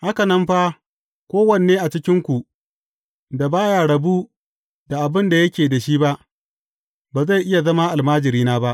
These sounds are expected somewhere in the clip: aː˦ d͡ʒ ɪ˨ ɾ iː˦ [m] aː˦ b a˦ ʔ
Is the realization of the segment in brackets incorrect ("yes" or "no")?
yes